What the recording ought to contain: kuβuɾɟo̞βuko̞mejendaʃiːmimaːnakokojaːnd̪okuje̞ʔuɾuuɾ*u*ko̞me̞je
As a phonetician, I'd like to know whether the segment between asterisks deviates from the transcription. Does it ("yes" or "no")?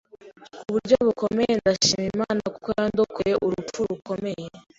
no